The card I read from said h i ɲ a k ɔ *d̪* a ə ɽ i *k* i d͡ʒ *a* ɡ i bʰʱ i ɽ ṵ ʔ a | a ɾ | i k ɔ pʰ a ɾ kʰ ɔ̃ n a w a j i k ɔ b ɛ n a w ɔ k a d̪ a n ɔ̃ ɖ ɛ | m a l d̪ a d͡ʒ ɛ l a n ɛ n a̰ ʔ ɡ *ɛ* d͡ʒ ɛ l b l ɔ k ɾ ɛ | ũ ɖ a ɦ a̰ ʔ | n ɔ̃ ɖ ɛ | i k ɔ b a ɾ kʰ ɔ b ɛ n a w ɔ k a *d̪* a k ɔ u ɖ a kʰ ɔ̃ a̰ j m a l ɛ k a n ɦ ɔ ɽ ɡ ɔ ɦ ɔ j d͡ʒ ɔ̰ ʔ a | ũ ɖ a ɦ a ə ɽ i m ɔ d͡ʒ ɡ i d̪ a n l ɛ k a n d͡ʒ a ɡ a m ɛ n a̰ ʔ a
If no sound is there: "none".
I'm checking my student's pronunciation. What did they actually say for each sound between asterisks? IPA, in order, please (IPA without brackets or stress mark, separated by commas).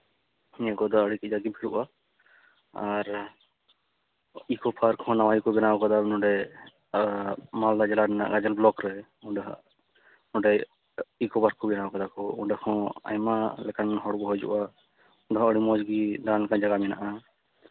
d̪, k, a, a, d̪